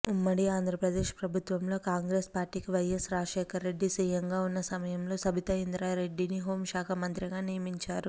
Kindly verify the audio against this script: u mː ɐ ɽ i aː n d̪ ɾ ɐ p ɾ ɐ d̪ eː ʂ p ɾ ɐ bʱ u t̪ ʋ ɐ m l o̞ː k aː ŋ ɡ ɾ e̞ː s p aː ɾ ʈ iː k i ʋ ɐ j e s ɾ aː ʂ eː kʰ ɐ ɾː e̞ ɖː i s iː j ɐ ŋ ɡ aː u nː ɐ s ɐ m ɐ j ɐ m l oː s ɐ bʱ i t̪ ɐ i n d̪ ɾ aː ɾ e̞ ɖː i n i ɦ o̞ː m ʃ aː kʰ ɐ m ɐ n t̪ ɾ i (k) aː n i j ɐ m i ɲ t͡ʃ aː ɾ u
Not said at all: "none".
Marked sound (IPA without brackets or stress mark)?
ɡ